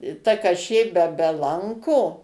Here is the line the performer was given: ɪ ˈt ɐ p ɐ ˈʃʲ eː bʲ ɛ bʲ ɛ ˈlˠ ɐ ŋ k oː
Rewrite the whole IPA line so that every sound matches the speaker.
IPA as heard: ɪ ˈt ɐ k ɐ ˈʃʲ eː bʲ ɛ bʲ ɛ ˈlˠ ɐ ŋ k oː